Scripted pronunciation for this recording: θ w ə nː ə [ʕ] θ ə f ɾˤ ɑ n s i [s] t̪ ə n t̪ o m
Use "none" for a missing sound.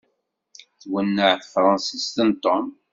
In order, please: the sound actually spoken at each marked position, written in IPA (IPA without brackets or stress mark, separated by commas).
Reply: ʕ, s